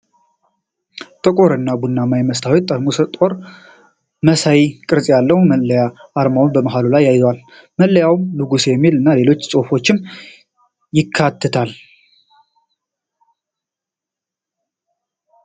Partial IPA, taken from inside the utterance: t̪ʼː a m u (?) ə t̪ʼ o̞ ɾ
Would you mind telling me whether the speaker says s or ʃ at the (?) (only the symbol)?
s